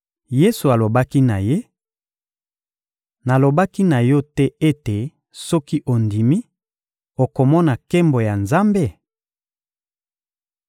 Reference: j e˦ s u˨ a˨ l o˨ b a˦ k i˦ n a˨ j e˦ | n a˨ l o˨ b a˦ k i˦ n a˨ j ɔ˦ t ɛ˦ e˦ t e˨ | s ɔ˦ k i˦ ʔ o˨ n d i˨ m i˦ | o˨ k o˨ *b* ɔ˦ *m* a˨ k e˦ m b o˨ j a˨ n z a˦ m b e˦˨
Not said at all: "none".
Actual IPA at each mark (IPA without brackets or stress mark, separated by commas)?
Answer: m, n